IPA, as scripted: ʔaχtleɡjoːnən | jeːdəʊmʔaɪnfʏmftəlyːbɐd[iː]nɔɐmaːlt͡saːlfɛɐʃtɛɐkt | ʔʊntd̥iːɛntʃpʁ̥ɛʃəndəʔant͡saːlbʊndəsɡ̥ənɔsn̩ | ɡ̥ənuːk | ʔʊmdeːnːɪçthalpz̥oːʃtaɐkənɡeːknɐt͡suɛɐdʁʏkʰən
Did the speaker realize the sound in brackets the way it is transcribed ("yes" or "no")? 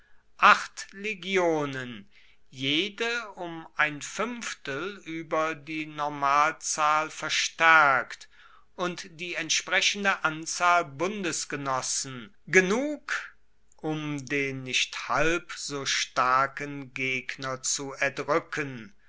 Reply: yes